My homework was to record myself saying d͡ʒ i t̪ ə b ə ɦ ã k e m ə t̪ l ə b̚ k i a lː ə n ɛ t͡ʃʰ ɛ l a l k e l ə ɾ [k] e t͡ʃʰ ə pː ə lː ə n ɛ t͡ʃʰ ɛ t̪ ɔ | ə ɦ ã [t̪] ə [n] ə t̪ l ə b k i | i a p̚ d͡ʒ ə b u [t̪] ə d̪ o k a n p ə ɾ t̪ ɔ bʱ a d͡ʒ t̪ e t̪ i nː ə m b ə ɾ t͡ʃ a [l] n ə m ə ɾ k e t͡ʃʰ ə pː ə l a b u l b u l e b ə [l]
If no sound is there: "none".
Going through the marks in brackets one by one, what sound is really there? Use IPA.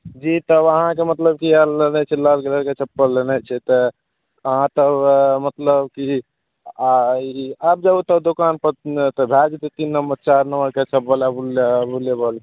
k, t̪, m, t̪, ɾ, l

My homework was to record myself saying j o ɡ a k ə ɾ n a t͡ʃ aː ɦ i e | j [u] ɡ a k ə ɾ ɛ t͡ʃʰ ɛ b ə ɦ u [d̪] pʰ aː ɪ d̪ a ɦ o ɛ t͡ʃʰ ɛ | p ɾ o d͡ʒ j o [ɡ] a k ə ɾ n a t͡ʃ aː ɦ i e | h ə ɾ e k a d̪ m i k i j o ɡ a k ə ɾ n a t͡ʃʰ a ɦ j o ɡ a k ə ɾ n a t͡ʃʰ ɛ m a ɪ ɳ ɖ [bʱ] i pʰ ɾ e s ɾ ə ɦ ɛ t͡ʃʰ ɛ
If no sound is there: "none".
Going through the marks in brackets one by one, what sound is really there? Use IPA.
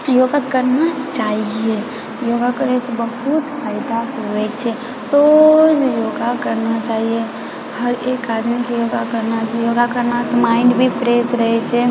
o, t̪, ɡ, bʱ

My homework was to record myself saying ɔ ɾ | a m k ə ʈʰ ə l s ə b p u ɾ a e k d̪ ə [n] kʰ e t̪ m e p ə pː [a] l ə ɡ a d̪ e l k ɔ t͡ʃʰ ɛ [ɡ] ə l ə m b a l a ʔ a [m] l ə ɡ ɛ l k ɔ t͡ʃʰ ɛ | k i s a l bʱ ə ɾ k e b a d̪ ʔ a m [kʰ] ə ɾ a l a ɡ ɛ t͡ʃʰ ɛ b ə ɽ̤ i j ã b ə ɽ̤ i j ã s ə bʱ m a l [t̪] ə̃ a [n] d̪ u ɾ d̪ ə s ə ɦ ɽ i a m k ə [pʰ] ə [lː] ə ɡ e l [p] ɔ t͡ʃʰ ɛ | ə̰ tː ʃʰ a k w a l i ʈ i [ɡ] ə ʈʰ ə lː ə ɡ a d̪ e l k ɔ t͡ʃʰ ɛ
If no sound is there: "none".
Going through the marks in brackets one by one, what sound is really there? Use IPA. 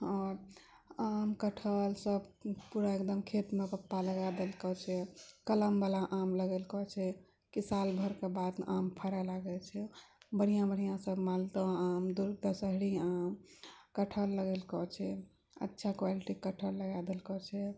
m, a, k, m, pʰ, t̪, m, ʈʰ, lː, k, k

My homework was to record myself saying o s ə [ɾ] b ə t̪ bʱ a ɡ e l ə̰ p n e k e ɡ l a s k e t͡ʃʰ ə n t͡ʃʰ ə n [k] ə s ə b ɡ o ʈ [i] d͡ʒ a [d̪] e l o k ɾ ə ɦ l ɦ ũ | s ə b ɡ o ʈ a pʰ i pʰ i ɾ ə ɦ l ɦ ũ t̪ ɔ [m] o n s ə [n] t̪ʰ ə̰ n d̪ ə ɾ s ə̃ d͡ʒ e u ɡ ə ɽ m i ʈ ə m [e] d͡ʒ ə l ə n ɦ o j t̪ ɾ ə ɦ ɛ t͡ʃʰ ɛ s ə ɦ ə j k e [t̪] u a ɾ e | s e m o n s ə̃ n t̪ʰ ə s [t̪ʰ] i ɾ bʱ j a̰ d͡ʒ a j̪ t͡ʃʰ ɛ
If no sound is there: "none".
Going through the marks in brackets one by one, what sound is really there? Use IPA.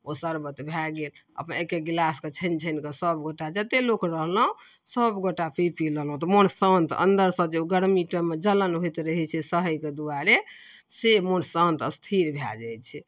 ɾ, k, a, t̪, m, n, e, d̪, t̪ʰ

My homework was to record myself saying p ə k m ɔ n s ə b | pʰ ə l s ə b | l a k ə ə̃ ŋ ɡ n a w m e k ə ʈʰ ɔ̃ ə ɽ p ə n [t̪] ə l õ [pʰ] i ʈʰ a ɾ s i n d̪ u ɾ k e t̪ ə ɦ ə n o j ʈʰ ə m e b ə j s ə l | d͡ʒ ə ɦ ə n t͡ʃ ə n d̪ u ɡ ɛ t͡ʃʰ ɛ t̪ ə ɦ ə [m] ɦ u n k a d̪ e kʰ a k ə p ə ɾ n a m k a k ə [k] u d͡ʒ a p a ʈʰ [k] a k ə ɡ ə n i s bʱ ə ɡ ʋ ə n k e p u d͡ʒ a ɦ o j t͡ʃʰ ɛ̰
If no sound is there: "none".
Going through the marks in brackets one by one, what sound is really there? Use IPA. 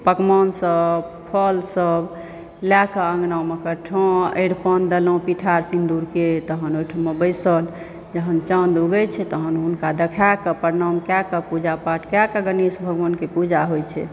d̪, p, n, p, k

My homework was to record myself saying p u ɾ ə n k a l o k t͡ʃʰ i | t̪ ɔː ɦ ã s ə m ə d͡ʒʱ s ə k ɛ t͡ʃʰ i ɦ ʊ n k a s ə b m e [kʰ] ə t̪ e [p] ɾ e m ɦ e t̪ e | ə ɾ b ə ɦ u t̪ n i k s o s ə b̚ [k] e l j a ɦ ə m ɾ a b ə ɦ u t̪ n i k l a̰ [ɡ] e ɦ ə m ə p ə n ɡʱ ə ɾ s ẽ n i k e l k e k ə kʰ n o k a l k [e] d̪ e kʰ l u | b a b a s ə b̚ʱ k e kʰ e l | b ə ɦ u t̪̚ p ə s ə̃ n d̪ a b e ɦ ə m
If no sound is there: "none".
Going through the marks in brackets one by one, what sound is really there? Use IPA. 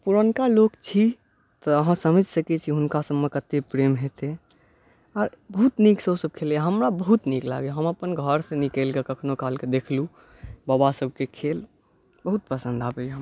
k, p, kʰ, ɡ, e

